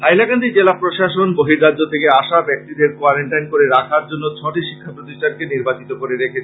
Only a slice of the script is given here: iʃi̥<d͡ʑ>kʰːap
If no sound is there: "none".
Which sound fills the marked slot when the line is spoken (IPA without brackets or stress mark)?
none